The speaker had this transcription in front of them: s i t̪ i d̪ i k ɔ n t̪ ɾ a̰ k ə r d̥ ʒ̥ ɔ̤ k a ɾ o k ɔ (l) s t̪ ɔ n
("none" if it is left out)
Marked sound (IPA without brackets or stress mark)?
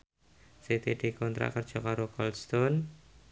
l